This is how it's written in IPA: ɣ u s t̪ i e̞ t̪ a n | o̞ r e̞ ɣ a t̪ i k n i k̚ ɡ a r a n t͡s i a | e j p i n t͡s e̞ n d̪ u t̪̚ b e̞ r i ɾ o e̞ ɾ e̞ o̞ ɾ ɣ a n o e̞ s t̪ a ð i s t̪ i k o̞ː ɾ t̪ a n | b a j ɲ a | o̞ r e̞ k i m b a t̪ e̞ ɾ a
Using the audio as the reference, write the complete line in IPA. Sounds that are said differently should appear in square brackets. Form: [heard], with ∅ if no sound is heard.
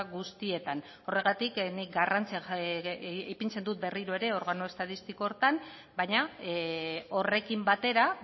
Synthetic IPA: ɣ u s t̪ i e̞ t̪ a n | o̞ r e̞ ɣ a t̪ i k n i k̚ ɡ a r a n t͡s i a | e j p i n t͡s e̞ n d̪ u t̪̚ b e̞ r i ɾ o e̞ ɾ e̞ o̞ ɾ ɣ a n o e̞ s t̪ a ð i s t̪ i k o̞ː ɾ t̪ a n | b a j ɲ a | o̞ r e̞ k i m b a t̪ e̞ ɾ a

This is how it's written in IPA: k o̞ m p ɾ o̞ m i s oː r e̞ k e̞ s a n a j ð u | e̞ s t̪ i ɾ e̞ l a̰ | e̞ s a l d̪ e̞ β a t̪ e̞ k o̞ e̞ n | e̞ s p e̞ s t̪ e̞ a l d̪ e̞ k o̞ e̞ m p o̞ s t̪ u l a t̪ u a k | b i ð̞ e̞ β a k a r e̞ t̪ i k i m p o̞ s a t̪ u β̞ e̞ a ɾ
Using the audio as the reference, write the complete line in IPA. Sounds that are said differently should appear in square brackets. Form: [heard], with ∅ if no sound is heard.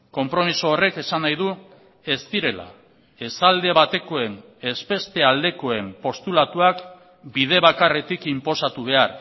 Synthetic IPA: k o̞ m p ɾ o̞ m i s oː r e̞ k e̞ s a n a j ð u | e̞ s t̪ i ɾ e̞ l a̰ | e̞ s a l d̪ e̞ β a t̪ e̞ k o̞ e̞ n | e̞ s p e̞ s t̪ e̞ a l d̪ e̞ k o̞ e̞ m p o̞ s t̪ u l a t̪ u a k | b i ð̞ e̞ β a k a r e̞ t̪ i k i m p o̞ s a t̪ u β̞ e̞ a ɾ

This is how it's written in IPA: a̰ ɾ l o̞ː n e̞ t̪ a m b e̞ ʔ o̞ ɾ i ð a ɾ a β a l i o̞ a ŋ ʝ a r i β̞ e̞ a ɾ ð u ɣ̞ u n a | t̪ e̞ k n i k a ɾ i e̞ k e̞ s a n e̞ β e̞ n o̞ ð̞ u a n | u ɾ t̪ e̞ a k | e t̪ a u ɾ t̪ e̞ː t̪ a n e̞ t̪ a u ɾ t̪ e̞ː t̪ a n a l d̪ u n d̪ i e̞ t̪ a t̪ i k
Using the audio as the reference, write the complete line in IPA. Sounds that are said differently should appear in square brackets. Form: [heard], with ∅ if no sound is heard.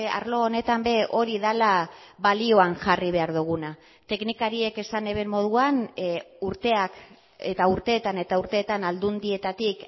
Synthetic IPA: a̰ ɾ l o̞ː n e̞ t̪ a m b e̞ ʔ o̞ ɾ i ð a [l] a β a l i o̞ a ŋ ʝ a r i β̞ e̞ a ɾ ð u ɣ̞ u n a | t̪ e̞ k n i k a ɾ i e̞ k e̞ s a n e̞ β e̞ [m] o̞ ð̞ u a n | u ɾ t̪ e̞ a k | e t̪ a u ɾ t̪ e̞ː t̪ a n e̞ t̪ a u ɾ t̪ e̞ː t̪ a n a l d̪ u n d̪ i e̞ t̪ a t̪ i k

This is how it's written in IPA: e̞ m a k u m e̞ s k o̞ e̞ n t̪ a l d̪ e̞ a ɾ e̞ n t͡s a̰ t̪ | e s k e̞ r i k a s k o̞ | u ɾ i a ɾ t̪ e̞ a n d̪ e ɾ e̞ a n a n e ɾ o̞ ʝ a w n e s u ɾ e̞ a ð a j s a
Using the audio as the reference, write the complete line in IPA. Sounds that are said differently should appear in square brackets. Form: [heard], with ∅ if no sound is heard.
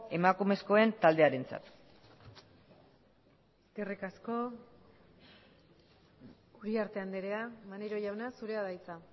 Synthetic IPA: e̞ m a k u m e̞ s k o̞ e̞ n t̪ a l d̪ e̞ a ɾ e̞ n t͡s a̰ t̪ | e s k e̞ r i k a s k o̞ | u ɾ i a ɾ t̪ e̞ a n d̪ e ɾ e̞ a [m] a n e ɾ o̞ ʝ a w n [a] s u ɾ e̞ a ð a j [t͡s] a

